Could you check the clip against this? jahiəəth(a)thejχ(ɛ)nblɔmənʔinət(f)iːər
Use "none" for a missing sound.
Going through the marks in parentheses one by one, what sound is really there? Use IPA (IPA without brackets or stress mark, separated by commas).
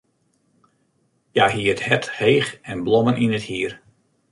ɛ, ɛ, h